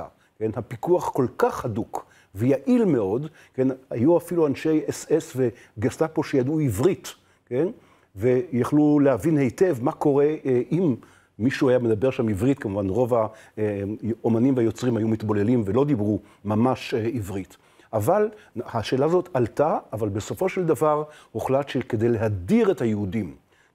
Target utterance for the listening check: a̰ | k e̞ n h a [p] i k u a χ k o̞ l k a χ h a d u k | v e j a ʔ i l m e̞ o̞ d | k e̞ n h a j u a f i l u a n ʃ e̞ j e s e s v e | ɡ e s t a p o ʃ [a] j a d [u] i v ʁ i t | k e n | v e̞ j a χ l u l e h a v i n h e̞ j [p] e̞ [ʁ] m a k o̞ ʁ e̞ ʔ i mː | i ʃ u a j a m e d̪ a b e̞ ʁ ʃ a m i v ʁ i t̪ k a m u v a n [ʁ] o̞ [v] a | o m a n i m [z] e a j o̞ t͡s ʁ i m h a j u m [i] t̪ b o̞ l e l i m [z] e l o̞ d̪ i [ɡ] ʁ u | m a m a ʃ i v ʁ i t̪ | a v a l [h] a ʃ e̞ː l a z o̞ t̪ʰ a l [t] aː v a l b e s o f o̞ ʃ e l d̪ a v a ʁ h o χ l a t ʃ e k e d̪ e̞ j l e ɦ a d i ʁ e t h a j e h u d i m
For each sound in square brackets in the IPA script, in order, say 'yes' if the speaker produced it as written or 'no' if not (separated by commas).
yes, no, yes, no, no, yes, yes, no, yes, no, no, yes, yes